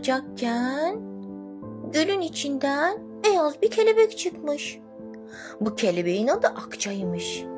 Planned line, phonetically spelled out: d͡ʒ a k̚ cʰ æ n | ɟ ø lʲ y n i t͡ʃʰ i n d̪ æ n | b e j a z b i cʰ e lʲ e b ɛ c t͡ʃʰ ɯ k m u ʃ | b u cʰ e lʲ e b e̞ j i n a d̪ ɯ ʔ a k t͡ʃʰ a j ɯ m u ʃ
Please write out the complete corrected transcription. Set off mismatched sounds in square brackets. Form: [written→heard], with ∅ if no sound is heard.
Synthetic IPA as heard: d͡ʒ a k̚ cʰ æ n | ɟ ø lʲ y n i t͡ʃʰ i n d̪ æ n | b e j a z b i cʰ e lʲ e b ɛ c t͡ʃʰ ɯ k m [u→ɯ] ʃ | b u cʰ e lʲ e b e̞ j i n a d̪ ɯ ʔ a k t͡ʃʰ a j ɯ m [u→ɯ] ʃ